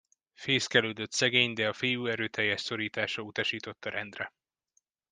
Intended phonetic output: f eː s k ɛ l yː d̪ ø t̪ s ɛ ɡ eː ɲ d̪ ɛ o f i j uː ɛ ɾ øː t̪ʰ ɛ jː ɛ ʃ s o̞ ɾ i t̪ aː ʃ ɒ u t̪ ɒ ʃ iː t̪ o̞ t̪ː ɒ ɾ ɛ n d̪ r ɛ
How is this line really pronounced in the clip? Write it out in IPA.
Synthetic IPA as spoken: f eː s k ɛ l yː d̪ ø t̪ s ɛ ɡ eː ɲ d̪ ɛ ɒ f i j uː ɛ ɾ øː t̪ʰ ɛ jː ɛ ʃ s o̞ ɾ iː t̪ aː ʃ ɒ u t̪ ɒ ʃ iː t̪ o̞ t̪ː ɒ ɾ ɛ n d̪ r ɛ